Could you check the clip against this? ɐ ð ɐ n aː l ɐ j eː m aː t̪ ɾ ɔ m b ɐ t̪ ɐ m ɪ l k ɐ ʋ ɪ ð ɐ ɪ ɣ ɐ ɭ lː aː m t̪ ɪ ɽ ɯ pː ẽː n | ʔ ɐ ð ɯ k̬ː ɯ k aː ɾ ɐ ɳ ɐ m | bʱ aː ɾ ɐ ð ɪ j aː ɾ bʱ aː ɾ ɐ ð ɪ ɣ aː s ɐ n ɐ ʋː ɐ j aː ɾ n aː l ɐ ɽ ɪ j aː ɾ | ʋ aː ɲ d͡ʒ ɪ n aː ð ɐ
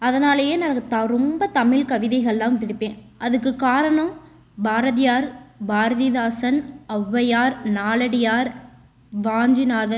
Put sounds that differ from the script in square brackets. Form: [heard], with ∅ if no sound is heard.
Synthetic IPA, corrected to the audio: ɐ ð ɐ n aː l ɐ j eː [n] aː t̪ ɾ ɔ m b ɐ t̪ ɐ m ɪ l k ɐ ʋ ɪ ð ɐ ɪ ɣ ɐ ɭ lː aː m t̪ ɪ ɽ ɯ pː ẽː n | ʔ ɐ ð ɯ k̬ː ɯ k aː ɾ ɐ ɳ ɐ m | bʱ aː ɾ ɐ ð ɪ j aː ɾ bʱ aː ɾ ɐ ð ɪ [ð] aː s ɐ n ɐ ʋː ɐ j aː ɾ n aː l ɐ ɽ ɪ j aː ɾ | ʋ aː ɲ d͡ʒ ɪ n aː ð ɐ